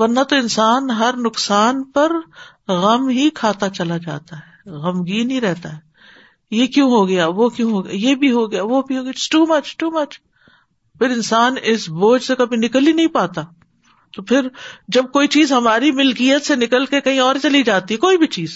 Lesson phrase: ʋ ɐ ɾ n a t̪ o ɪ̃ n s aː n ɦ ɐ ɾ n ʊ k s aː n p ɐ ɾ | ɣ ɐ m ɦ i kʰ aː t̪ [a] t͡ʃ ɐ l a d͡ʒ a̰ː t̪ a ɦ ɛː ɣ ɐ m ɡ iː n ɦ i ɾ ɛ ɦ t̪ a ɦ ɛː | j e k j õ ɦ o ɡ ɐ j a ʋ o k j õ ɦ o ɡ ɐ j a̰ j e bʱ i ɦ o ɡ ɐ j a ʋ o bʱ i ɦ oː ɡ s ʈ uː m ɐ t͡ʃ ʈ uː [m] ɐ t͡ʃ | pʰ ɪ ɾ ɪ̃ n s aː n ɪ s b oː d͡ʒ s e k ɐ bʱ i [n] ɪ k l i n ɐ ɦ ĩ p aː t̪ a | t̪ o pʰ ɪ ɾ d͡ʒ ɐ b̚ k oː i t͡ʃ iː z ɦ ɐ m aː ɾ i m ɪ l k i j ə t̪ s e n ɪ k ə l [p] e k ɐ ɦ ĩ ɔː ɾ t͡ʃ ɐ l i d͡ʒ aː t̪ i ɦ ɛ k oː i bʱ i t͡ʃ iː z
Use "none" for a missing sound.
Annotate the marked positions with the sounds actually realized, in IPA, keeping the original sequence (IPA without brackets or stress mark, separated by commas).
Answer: a, m, n, k